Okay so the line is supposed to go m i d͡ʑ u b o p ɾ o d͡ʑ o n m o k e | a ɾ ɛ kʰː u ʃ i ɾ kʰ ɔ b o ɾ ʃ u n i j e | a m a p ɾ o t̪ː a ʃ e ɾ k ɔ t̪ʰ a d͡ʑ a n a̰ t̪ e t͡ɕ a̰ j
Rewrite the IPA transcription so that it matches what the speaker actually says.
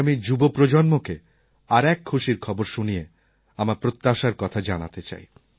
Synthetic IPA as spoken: m i d͡ʑ u b o p ɾ o d͡ʑ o n m o k e | a ɾ ɛ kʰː u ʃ i ɾ kʰ ɔ b o ɾ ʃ u n i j e | a m a p ɾ o t̪ː a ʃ a ɾ k ɔ t̪ʰ a d͡ʑ a n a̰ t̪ e t͡ɕ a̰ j